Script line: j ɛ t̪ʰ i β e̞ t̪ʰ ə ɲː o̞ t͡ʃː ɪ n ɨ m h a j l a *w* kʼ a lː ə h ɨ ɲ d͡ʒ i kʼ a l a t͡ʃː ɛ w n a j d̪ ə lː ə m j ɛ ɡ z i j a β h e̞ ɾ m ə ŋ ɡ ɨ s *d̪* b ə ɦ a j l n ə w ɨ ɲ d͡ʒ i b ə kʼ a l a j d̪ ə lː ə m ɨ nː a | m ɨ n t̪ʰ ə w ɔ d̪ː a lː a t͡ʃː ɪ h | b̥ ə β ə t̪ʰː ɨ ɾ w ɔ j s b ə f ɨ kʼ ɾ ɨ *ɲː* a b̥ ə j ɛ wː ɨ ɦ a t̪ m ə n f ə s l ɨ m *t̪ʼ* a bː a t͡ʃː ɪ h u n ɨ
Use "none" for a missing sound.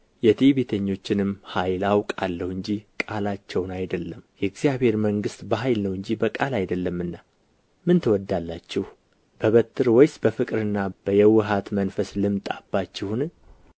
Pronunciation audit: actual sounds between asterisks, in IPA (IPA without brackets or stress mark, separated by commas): w, t̪, nː, t̪ʼ